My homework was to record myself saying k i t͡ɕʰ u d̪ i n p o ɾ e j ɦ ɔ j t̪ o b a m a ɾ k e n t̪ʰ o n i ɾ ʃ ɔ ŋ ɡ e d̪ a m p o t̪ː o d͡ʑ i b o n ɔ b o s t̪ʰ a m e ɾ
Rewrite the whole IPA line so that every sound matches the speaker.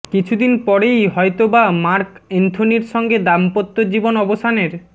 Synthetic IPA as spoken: k i t͡ɕʰ u d̪ i n p ɔ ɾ e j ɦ ɔ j t̪ o b a m a ɾ k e n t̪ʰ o n i ɾ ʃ ɔ ŋ ɡ e d̪ a m p o t̪ː o d͡ʑ i b o n ɔ b o s t̪ʰ a n e ɾ

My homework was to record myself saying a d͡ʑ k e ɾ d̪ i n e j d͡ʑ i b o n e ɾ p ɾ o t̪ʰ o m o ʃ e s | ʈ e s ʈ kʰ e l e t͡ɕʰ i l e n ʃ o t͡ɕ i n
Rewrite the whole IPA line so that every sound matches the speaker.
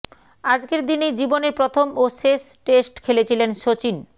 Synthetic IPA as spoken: a d͡ʑ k e ɾ d̪ i n e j d͡ʑ i b o n e ɾ p ɾ o t̪ʰ o m o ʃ e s | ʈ e s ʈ kʰ e l e t͡ɕʰ i l e n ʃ o t͡ɕ i n

